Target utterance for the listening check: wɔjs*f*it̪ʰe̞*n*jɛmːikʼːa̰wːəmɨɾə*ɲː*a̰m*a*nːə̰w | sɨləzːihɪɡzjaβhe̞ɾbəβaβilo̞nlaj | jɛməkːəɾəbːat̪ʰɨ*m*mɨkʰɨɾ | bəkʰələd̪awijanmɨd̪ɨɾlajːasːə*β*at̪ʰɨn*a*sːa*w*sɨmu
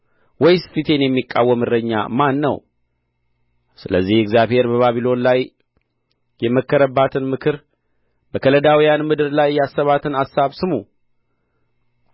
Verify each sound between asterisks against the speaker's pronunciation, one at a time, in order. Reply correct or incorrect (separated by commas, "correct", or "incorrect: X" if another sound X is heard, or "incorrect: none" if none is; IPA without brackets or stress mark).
correct, correct, correct, correct, incorrect: n, correct, correct, incorrect: β